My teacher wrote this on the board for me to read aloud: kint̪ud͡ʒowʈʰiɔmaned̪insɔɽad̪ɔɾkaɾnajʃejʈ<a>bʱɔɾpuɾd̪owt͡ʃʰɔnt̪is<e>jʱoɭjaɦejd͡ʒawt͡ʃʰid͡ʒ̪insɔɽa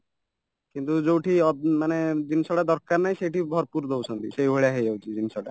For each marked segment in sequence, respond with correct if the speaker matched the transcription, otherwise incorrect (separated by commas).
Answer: incorrect, correct